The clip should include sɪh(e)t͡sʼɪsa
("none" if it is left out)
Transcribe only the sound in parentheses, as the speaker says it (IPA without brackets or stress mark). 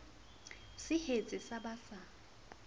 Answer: e